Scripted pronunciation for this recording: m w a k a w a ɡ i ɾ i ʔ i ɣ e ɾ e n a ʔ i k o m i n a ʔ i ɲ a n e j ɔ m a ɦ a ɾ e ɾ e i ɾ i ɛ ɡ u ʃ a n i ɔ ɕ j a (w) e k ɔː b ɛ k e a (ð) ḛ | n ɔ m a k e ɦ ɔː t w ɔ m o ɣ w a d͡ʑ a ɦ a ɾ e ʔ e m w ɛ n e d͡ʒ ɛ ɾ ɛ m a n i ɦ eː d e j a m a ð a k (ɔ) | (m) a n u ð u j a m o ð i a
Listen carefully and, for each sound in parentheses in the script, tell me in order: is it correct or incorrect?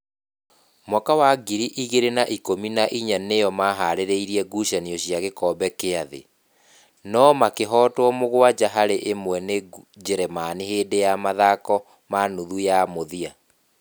incorrect, correct, correct, correct

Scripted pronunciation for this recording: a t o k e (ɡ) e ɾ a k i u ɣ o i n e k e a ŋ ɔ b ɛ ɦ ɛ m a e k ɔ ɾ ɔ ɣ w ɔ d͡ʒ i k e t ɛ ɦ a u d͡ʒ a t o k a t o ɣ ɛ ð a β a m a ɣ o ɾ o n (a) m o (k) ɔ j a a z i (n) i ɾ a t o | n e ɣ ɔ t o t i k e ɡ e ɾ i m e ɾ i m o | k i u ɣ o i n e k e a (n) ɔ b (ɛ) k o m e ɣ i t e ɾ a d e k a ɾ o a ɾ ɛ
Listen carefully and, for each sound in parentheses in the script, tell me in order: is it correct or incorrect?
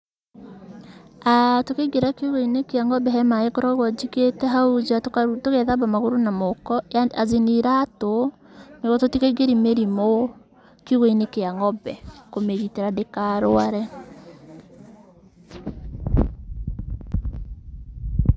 correct, correct, correct, correct, incorrect, correct

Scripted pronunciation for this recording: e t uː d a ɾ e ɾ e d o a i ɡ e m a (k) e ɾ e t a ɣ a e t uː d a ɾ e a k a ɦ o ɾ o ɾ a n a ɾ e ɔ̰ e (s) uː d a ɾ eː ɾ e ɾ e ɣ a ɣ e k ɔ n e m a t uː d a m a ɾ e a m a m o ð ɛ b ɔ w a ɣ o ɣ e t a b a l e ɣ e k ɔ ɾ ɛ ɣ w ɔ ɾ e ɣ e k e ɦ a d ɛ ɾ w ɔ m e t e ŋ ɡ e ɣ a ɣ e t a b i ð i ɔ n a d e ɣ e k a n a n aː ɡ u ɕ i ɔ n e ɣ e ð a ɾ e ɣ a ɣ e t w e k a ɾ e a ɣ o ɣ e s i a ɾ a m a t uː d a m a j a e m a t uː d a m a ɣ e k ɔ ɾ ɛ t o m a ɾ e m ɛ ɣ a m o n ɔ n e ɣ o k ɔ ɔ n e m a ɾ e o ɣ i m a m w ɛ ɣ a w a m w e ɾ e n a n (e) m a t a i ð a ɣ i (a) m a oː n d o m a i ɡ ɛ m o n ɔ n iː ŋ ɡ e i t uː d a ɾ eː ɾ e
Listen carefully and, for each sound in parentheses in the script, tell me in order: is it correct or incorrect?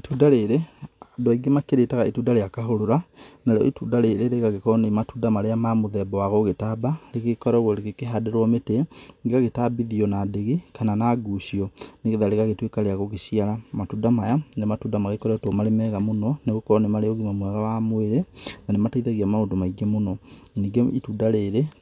correct, incorrect, correct, correct

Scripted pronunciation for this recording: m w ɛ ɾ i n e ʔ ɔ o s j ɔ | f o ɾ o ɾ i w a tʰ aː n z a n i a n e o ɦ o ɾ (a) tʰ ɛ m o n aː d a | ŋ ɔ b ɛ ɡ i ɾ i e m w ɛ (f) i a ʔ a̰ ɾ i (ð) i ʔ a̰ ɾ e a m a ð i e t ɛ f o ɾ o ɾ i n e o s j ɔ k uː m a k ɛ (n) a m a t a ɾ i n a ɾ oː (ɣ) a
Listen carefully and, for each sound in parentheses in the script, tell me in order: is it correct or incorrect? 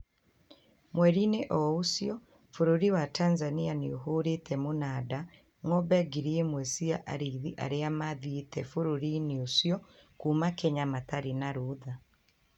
incorrect, incorrect, correct, incorrect, incorrect

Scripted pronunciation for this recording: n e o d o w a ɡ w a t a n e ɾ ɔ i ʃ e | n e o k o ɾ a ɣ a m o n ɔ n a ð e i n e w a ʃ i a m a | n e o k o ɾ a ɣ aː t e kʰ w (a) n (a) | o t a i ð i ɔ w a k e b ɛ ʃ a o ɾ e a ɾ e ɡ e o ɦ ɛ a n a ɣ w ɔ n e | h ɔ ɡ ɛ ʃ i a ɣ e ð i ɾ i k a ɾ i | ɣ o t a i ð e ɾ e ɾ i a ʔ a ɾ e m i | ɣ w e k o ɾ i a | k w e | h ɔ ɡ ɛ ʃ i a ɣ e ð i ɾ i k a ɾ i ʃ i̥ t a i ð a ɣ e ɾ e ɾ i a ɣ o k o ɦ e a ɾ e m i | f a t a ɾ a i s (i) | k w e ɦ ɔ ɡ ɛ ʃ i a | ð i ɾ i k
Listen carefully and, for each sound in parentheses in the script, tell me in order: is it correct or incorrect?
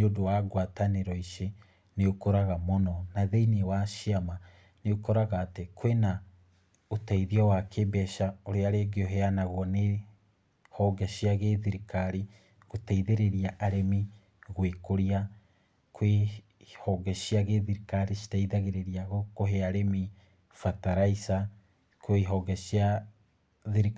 incorrect, correct, incorrect

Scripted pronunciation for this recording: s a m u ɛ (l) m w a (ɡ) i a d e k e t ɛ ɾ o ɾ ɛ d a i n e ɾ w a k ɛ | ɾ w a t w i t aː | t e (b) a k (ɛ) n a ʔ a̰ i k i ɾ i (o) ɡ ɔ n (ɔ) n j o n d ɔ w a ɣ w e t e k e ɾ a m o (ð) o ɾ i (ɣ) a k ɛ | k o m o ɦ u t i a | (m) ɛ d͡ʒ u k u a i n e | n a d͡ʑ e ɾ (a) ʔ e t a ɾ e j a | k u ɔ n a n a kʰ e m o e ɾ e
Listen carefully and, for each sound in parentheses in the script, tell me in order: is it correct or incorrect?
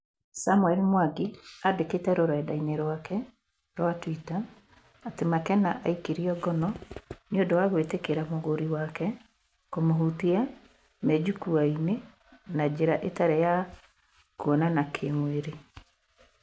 correct, correct, incorrect, correct, incorrect, correct, incorrect, incorrect, correct, correct

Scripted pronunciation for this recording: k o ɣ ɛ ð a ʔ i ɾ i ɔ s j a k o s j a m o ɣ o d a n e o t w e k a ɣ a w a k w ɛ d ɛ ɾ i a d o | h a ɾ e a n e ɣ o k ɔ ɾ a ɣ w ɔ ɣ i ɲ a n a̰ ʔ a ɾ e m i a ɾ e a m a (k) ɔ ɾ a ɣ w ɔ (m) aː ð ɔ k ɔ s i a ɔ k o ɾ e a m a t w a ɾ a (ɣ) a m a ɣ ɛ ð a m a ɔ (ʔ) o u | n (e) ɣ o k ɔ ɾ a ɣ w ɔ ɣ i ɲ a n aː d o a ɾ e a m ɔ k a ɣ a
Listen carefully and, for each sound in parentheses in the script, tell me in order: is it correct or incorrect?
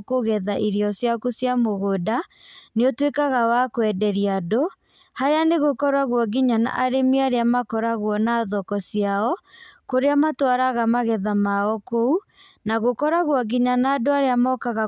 correct, incorrect, correct, incorrect, incorrect

